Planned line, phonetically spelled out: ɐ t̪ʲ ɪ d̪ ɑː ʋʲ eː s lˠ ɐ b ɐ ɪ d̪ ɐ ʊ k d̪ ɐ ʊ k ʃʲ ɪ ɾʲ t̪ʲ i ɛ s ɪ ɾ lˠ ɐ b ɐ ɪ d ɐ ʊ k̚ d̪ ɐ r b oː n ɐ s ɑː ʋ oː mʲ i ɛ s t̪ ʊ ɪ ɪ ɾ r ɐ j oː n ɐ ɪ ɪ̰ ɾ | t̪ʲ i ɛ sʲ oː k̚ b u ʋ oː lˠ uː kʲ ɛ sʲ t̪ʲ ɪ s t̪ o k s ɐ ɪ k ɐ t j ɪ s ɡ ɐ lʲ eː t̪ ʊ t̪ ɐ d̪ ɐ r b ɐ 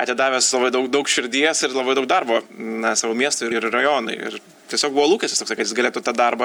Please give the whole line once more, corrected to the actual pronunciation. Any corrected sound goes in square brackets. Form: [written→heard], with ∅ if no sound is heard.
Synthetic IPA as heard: ɐ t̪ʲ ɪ d̪ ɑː ʋʲ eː s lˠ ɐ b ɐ ɪ d̪ ɐ ʊ k d̪ ɐ ʊ k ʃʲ ɪ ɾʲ [t̪ʲ→d̪ʲ] i ɛ s ɪ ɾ lˠ ɐ b ɐ ɪ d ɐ ʊ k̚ d̪ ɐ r b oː n ɐ s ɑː ʋ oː mʲ i ɛ s t̪ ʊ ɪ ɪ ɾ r ɐ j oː n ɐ ɪ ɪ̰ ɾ | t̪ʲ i ɛ sʲ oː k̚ b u ʋ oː lˠ uː kʲ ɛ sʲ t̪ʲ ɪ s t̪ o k s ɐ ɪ k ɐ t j ɪ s ɡ ɐ lʲ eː t̪ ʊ t̪ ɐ d̪ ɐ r b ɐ